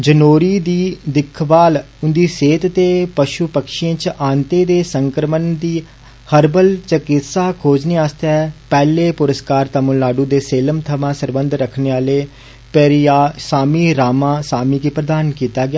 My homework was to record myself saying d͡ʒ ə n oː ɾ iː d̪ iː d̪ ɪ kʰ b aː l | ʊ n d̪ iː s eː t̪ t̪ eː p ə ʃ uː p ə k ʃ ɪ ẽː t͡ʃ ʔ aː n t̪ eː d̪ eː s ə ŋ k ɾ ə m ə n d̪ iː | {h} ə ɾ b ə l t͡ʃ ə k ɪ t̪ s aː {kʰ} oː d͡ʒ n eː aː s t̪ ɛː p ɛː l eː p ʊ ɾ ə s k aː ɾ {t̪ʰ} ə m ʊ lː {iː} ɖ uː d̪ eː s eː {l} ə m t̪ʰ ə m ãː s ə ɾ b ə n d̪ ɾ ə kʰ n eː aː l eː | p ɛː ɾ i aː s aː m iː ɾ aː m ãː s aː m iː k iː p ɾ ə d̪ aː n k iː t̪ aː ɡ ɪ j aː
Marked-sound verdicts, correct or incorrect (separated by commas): correct, correct, incorrect, incorrect, correct